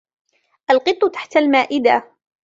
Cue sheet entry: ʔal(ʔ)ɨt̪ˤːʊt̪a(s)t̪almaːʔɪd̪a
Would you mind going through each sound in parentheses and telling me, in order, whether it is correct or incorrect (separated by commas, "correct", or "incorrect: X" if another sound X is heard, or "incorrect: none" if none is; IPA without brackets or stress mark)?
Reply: incorrect: q, incorrect: ħ